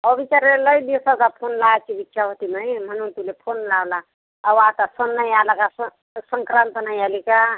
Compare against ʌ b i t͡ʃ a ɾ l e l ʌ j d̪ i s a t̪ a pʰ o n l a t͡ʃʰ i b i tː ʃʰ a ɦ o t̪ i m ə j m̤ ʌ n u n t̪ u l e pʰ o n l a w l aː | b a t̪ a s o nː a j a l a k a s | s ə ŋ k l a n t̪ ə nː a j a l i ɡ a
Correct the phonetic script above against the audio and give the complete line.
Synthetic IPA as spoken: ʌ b i t͡ʃ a ɾ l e l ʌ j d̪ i s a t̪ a pʰ o n l a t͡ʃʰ i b i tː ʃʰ a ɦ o t̪ i m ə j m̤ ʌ n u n t̪ u l e pʰ o n l a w l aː | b a t̪ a s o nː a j a l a k a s | s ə ŋ k ɾ a n t̪ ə n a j a l i k a